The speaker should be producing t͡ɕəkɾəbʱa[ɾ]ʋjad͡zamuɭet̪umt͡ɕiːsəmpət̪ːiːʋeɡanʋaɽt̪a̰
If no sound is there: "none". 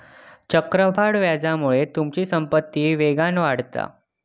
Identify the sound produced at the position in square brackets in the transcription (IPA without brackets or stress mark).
ɽ